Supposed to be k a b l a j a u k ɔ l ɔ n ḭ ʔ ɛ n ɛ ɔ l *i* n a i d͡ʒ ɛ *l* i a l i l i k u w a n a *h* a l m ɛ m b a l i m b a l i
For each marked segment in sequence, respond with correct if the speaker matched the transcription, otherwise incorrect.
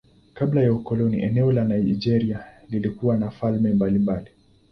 incorrect: a, incorrect: ɾ, incorrect: f

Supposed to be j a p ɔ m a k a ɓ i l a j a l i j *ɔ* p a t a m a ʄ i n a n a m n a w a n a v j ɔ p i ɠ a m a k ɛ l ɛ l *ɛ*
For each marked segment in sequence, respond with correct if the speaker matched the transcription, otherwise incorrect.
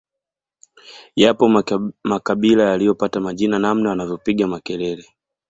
correct, correct

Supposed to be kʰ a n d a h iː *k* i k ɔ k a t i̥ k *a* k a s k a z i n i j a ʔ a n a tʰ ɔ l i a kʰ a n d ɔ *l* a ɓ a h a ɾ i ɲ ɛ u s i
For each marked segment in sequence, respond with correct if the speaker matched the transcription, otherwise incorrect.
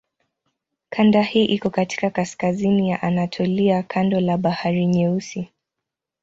incorrect: ʔ, correct, correct

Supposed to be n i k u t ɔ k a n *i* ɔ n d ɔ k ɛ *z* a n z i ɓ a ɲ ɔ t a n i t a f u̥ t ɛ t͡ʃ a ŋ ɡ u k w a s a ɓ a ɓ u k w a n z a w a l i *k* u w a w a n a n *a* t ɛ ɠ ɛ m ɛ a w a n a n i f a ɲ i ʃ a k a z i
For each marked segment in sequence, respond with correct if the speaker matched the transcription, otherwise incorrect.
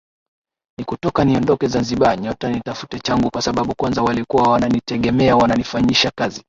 correct, correct, correct, incorrect: i

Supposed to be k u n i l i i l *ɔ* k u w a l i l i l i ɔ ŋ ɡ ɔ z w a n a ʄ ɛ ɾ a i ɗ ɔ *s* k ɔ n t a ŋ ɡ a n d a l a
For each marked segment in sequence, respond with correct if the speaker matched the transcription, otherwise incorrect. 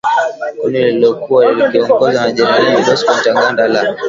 correct, correct

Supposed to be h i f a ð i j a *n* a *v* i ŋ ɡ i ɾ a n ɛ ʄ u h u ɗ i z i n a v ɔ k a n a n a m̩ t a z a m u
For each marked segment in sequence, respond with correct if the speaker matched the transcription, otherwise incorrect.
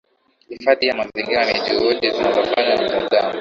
incorrect: m, incorrect: z

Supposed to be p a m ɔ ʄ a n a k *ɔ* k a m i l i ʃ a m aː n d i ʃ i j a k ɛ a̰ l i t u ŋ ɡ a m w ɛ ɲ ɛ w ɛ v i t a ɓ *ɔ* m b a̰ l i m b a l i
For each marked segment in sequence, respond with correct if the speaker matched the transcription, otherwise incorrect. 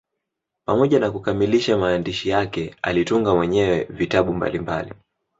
incorrect: u, incorrect: u

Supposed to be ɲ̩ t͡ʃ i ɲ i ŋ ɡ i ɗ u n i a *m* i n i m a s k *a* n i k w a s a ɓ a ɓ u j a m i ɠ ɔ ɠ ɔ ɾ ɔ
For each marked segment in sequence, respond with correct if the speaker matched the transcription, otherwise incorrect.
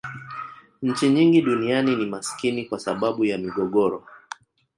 incorrect: n, incorrect: i

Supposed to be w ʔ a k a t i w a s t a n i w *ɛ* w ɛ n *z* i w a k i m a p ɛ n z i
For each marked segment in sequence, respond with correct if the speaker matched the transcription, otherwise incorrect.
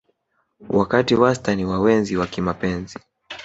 incorrect: a, correct

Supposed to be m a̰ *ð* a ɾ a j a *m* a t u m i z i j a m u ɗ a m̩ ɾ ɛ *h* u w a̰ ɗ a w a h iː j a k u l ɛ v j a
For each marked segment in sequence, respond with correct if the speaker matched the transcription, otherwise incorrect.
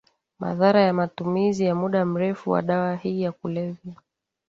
correct, correct, incorrect: f

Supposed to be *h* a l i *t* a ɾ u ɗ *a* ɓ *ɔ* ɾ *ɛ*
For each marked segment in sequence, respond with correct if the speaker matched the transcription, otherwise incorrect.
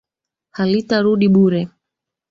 correct, correct, incorrect: i, incorrect: u, correct

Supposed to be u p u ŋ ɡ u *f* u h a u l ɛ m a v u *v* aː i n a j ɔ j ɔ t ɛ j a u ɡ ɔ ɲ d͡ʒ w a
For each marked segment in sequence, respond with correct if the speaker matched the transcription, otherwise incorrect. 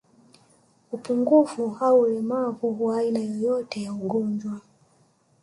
correct, incorrect: w

